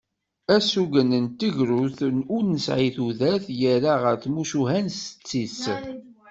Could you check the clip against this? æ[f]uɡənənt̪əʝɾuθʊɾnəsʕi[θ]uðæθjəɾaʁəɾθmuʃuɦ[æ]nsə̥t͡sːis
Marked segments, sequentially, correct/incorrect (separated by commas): incorrect, correct, correct